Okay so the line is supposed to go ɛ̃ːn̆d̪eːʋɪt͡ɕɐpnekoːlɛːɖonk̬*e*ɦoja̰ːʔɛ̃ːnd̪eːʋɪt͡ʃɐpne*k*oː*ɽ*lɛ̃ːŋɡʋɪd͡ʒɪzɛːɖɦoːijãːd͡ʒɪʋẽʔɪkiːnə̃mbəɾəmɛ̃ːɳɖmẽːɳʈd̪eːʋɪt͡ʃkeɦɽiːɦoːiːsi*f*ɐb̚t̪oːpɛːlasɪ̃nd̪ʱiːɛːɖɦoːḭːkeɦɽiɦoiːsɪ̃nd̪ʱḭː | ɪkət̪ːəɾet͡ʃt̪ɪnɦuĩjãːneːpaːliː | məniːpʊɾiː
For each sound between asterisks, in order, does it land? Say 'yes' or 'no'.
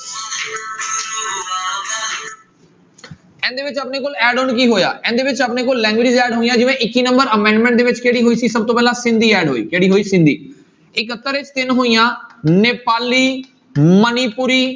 no, yes, no, no

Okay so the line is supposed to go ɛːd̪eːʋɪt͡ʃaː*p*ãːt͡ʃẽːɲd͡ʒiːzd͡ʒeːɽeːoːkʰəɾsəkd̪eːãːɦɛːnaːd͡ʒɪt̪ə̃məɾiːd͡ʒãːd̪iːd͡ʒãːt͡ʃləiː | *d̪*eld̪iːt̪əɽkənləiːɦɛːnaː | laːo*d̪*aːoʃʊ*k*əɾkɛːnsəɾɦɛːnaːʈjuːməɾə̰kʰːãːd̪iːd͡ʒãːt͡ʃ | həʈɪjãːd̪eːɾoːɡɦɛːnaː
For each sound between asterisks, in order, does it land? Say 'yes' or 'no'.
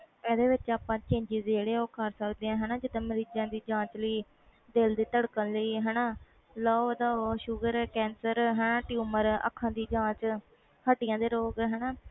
yes, yes, yes, no

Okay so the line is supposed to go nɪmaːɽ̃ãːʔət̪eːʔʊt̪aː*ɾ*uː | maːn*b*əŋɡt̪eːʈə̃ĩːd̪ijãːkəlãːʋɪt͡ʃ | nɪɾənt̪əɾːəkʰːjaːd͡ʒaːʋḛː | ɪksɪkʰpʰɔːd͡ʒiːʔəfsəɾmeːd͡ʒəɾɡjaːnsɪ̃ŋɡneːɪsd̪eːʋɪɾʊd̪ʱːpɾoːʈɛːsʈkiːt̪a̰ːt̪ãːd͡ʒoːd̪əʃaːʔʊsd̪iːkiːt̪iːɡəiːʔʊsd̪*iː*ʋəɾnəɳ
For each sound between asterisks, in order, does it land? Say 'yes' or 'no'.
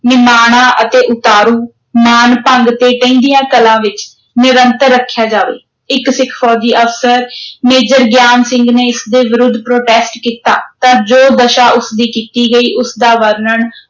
yes, no, no

